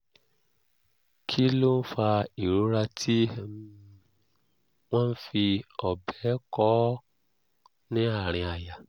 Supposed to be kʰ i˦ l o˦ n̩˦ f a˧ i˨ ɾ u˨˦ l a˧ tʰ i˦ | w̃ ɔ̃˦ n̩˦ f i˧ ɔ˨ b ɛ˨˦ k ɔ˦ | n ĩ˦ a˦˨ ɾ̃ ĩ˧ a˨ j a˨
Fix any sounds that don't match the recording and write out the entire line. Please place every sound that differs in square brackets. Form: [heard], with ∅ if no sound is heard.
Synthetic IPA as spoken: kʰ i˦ l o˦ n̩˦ f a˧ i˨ ɾ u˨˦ [ɾ] a˧ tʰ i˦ | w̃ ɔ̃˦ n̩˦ f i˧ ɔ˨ b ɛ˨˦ k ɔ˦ | n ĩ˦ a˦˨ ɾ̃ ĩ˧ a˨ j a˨